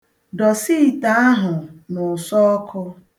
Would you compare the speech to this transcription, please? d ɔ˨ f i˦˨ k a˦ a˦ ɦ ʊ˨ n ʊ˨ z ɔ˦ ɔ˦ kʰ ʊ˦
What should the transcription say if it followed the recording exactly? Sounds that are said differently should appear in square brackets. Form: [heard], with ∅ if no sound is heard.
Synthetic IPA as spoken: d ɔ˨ [s] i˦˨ [t] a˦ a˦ ɦ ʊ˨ n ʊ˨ [s] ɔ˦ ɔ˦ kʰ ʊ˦